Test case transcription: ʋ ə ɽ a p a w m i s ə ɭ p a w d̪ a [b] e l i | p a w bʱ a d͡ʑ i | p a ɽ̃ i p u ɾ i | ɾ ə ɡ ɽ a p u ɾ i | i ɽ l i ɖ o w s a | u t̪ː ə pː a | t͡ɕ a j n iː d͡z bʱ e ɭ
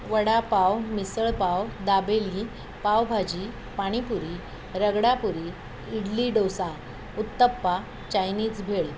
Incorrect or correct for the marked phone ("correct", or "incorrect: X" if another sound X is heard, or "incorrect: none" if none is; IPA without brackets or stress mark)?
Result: correct